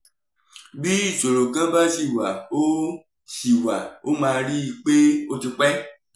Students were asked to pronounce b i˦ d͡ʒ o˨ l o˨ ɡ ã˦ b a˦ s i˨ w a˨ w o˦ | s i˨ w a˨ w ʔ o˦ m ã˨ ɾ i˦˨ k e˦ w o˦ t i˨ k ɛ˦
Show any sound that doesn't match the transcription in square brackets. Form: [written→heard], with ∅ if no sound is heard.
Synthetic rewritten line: b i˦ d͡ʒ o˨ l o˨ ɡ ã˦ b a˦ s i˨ w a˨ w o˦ | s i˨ w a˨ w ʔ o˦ m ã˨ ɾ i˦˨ [k→k͡p] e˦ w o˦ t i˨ [k→k͡p] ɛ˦